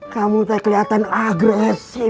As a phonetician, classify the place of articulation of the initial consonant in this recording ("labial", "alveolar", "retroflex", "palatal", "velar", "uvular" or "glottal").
velar